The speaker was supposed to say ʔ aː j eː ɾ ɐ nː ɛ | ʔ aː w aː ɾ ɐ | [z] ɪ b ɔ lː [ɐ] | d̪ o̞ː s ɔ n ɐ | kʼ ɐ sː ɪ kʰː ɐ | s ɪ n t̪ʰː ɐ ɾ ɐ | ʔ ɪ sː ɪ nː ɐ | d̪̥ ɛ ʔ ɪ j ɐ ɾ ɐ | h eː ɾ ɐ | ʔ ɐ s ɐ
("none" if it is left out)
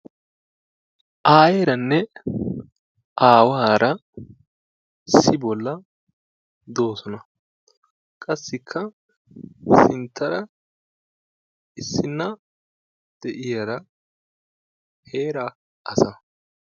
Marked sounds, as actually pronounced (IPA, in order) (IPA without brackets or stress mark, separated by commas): s, ɐ